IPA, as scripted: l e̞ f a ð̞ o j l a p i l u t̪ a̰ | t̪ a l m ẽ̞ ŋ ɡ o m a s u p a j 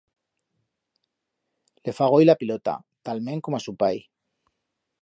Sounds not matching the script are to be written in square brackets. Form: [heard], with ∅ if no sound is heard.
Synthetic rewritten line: l e̞ f a [ɣ̞] o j l a p i l [o] t̪ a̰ | t̪ a l m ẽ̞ ŋ [k] o m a s u p a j

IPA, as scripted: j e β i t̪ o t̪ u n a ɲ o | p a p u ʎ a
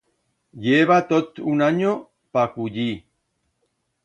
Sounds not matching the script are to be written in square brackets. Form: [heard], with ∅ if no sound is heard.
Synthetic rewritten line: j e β [a] t̪ o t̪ u n a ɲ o | p a [k] u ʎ [i]

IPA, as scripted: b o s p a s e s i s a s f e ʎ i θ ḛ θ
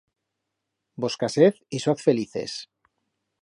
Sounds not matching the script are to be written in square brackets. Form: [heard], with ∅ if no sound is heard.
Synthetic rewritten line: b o s [k] a s e [θ] i s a [θ] f e [l] i θ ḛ [s]

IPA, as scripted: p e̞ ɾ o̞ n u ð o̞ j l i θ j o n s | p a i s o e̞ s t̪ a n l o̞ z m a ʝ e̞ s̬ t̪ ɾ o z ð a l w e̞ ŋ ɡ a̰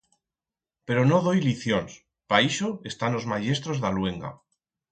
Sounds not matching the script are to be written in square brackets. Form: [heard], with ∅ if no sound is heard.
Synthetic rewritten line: p e̞ ɾ o̞ n [o] ð o̞ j l i θ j o n s | p a i [ʃ] o e̞ s t̪ a n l o̞ z m a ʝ e̞ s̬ t̪ ɾ o z ð a l w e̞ ŋ ɡ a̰

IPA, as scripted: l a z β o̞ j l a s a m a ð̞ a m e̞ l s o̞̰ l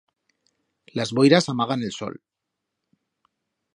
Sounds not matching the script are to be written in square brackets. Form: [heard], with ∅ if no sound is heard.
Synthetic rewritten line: l a z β o̞ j [ɾ] a s a m a [ɣ̞] a [n] e̞ l s o̞̰ l

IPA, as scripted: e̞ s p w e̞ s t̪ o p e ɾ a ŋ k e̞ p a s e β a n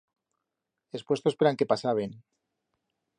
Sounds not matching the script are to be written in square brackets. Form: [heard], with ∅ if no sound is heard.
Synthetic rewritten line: e̞ s p w e̞ s t̪ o p e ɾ a ŋ k e̞ p a s [a] β [e] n

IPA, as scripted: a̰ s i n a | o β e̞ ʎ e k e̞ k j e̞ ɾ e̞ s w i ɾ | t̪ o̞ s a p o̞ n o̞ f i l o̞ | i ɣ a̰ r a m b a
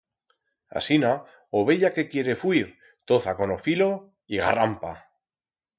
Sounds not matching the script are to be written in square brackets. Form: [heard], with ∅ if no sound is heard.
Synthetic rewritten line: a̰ s i n a | o β e̞ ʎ [a] k e̞ k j e̞ ɾ e̞ [f] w i ɾ | t̪ o̞ [θ] a [k] o̞ n o̞ f i l o̞ | i ɣ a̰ r a m [p] a

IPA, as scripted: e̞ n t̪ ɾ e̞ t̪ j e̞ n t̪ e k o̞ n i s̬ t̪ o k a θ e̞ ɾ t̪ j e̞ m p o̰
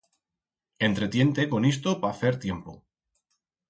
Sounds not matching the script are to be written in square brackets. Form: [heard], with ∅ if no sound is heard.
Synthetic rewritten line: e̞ n t̪ ɾ e̞ t̪ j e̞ n t̪ e k o̞ n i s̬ t̪ o [p] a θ e̞ ɾ t̪ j e̞ m p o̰

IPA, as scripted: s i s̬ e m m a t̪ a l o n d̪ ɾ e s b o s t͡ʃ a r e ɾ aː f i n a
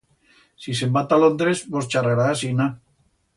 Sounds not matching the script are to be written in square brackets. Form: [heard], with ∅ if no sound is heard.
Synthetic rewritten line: s i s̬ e m [b] a t̪ a l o n d̪ ɾ e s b o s t͡ʃ a r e ɾ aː [s] i n a

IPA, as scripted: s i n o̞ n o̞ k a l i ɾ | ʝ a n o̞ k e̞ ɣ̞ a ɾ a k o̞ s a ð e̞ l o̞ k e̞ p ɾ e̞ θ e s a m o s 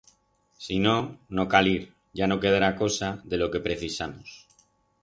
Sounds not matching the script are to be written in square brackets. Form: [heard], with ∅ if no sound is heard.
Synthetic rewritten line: s i n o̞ n o̞ k a l i ɾ | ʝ a n o̞ k e̞ [ð̞] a ɾ a k o̞ s a ð e̞ l o̞ k e̞ p ɾ e̞ θ [i] s a m o s

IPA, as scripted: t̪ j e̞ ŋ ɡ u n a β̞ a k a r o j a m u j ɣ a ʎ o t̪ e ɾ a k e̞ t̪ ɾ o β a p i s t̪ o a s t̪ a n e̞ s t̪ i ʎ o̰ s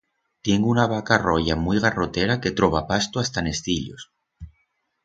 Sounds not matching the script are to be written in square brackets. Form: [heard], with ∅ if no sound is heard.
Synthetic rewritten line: t̪ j e̞ ŋ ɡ u n a β̞ a k a r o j a m u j ɣ a [r] o t̪ e ɾ a k e̞ t̪ ɾ o β a p [a] s t̪ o a s t̪ a n e̞ s t̪ i ʎ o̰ s

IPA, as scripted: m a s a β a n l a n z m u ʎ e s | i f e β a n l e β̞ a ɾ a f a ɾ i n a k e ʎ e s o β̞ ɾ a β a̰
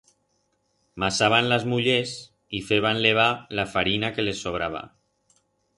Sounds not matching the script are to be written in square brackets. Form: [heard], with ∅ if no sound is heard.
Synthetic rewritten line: m a s a β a n l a [∅] z m u ʎ e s | i f e β a n l e β̞ a [l] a f a ɾ i n a k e [l] e s o β̞ ɾ a β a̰

